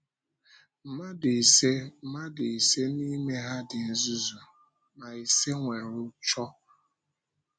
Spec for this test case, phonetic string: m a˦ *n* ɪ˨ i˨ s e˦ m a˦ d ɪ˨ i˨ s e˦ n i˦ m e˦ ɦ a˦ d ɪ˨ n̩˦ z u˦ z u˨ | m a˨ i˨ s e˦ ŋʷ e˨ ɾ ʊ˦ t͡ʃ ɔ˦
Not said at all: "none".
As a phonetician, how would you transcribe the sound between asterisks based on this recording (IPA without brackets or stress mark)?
d